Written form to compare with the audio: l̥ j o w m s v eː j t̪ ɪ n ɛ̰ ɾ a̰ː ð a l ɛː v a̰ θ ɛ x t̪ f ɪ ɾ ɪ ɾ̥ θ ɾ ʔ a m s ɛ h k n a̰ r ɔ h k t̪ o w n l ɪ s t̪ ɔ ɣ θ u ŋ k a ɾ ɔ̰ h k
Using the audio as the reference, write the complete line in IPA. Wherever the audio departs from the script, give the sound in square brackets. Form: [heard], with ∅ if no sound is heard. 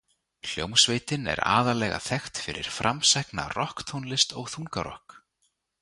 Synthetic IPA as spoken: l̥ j o w m s v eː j t̪ ɪ n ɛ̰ ɾ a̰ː ð a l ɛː [ɣ] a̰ θ ɛ x t̪ f ɪ ɾ ɪ ɾ̥ [f] ɾ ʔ a m s ɛ h k n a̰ r ɔ h k [t̪ʰ] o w n l ɪ s t̪ ɔ ɣ θ u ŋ k a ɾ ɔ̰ h k